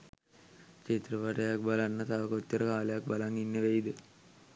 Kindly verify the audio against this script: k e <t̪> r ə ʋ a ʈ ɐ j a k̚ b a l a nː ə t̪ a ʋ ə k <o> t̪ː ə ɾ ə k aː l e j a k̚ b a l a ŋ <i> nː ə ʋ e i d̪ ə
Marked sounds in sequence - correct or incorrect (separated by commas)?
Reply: correct, correct, correct